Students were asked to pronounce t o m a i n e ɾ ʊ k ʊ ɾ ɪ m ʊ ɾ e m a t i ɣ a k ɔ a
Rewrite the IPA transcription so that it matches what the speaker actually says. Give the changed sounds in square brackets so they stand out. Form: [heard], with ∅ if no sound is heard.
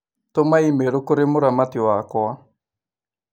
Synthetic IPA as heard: t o m a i [m] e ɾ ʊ k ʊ ɾ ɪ m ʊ ɾ [a] m a t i [w] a k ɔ a